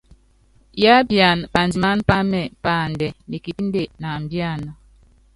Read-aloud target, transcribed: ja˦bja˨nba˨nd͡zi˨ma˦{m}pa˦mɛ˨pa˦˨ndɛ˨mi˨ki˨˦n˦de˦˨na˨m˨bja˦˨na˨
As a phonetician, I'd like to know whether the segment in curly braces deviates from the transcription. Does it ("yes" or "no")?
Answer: yes